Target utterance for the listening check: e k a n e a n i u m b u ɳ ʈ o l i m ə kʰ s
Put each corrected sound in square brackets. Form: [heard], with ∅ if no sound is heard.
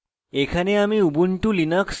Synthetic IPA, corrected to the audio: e [kʰ] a n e a [m] i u [∅] b u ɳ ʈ [u] l i [n] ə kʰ s